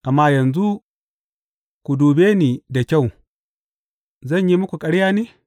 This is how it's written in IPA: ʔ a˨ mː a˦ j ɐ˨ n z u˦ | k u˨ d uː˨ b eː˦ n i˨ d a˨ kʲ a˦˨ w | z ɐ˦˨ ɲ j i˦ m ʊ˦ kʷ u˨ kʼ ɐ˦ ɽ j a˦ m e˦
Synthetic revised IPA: ʔ a˨ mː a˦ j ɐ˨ n z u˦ | k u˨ d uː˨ b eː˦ n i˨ d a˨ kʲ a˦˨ w | z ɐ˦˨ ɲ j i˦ m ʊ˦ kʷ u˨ kʼ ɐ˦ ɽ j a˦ n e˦